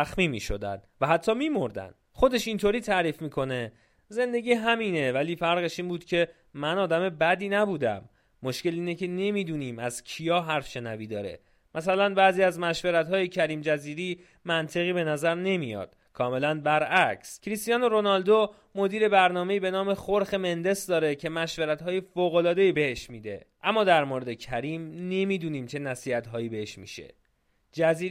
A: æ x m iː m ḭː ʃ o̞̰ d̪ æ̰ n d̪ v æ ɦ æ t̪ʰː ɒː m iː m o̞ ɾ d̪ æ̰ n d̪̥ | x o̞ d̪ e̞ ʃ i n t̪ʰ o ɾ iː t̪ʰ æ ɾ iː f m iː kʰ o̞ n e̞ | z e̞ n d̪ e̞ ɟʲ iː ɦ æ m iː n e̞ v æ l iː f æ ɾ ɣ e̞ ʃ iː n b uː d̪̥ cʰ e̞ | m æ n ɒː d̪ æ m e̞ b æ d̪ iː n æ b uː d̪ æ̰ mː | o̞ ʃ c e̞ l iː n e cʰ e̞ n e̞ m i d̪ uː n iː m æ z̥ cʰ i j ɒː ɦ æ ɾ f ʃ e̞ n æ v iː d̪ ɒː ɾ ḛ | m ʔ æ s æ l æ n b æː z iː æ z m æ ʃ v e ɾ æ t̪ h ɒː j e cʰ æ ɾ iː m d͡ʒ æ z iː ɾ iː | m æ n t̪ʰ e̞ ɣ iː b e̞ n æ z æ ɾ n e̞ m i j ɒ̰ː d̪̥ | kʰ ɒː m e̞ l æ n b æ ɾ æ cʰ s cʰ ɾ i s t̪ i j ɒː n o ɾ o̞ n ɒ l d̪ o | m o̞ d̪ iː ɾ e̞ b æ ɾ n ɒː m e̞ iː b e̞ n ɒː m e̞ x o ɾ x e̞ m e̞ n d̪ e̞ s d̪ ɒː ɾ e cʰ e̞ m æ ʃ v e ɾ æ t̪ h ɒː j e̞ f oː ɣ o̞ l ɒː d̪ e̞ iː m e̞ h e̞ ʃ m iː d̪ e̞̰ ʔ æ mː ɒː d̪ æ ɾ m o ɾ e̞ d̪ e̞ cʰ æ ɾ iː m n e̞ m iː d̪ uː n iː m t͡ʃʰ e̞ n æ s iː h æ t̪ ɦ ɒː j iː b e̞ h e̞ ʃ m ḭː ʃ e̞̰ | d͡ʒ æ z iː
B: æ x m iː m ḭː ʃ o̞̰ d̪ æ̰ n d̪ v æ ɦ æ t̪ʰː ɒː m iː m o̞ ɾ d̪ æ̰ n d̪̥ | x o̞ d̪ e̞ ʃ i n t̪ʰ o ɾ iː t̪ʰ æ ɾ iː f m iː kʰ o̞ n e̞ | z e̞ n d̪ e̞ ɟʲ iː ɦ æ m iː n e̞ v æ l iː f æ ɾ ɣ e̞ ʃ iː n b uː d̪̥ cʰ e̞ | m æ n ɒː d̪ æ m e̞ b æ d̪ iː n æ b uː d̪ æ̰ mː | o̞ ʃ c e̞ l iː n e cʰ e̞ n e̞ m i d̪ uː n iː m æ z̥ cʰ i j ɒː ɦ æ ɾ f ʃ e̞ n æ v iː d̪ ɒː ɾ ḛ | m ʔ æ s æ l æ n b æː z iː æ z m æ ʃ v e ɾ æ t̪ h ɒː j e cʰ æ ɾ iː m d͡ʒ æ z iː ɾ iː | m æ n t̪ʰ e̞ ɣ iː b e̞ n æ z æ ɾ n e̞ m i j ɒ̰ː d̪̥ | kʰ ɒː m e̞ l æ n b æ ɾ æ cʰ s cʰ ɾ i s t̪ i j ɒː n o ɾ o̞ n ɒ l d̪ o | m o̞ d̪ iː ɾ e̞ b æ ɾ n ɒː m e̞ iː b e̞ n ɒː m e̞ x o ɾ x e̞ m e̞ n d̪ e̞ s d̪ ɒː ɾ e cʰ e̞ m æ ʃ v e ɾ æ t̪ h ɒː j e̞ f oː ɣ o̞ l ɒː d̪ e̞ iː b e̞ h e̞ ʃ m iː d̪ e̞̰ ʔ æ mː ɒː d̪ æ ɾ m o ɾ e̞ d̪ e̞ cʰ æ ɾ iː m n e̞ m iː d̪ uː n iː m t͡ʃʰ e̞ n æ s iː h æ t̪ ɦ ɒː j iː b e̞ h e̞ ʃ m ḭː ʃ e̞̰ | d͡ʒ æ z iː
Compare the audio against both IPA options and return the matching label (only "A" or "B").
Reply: B